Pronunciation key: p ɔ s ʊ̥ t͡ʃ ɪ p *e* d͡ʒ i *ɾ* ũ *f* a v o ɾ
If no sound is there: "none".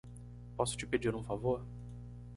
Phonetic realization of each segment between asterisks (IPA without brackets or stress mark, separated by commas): e, ɾ, f